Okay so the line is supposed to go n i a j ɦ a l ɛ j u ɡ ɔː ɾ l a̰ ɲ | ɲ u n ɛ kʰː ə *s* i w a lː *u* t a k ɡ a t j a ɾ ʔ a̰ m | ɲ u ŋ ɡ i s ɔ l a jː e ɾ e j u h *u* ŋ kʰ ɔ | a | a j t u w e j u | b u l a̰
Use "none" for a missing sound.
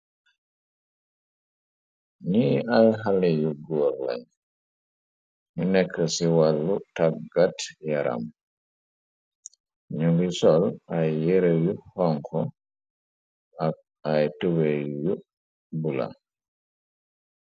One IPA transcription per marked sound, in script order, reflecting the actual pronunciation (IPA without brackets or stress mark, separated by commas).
s, u, ɔ